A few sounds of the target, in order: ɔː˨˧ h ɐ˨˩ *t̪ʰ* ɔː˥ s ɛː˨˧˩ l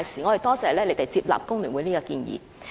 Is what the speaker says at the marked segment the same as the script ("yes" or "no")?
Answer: no